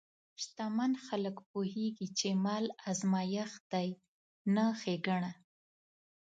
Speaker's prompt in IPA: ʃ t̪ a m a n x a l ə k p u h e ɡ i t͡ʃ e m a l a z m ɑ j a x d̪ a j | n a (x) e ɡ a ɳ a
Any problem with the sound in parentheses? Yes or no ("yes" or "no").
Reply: no